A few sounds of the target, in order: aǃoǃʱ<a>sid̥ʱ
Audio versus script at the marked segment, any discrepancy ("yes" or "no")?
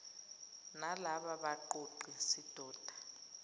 yes